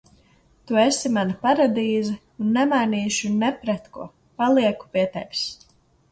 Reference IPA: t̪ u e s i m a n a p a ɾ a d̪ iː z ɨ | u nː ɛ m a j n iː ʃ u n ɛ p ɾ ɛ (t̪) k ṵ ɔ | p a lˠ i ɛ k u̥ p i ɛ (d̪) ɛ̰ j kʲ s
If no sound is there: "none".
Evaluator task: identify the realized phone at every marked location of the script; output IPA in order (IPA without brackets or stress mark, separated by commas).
t̪, t̪